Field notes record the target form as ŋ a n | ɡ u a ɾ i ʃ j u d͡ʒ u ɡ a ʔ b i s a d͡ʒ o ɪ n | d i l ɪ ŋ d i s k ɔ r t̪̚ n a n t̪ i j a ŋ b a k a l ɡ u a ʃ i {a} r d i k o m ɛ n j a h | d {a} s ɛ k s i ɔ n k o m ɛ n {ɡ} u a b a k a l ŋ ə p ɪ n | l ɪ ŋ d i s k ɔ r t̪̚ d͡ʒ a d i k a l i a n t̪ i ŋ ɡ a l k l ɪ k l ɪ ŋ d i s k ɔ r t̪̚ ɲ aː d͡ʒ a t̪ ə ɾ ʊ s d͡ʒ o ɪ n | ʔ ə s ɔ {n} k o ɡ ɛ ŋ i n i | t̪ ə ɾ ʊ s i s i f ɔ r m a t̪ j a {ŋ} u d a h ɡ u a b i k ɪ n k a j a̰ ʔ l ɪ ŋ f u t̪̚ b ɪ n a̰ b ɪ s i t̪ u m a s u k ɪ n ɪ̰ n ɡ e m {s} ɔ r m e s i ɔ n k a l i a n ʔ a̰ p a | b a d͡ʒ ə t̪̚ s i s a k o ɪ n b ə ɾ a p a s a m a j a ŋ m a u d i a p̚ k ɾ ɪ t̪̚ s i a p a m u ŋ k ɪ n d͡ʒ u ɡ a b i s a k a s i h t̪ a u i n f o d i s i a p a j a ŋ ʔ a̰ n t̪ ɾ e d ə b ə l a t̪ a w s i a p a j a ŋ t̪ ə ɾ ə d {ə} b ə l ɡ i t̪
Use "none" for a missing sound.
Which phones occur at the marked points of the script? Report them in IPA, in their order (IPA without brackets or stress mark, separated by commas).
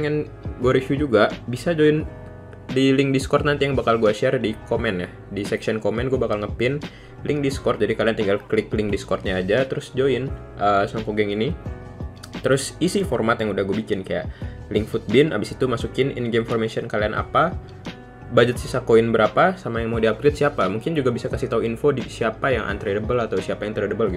a, i, ɡ, ŋ, ŋ, f, ə